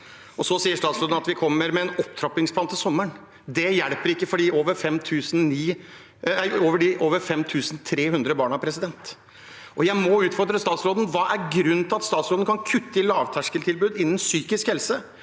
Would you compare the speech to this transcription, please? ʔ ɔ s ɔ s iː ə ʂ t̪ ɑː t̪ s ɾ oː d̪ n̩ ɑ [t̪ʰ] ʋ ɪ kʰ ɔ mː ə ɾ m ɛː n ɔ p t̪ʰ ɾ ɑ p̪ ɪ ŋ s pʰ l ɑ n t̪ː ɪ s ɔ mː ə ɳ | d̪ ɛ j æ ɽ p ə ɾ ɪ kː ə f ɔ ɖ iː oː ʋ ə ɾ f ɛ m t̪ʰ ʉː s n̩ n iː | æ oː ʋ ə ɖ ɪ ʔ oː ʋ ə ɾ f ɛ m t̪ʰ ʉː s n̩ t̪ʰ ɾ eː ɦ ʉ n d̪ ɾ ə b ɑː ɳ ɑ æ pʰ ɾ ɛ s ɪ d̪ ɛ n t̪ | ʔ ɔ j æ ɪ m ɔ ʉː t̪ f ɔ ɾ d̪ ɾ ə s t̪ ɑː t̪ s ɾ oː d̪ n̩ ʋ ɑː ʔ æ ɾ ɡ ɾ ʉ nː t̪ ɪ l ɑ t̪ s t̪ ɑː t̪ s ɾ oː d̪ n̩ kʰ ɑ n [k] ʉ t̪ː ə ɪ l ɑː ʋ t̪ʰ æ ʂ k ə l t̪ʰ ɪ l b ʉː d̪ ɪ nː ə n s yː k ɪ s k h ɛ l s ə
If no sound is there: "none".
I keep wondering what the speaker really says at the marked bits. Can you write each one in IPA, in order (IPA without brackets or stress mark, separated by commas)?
t̪, kʰ